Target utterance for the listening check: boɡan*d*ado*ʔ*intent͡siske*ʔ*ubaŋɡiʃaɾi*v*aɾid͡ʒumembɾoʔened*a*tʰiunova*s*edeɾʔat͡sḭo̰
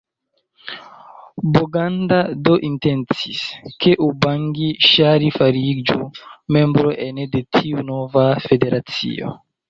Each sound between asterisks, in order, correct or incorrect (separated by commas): correct, correct, correct, incorrect, incorrect, incorrect